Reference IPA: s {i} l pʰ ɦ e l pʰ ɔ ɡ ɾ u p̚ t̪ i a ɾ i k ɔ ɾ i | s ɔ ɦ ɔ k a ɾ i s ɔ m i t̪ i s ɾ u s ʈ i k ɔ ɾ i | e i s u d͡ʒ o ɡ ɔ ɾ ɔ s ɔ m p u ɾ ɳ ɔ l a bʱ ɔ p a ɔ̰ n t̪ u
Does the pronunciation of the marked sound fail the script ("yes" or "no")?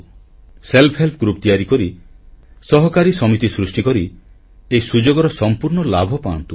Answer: yes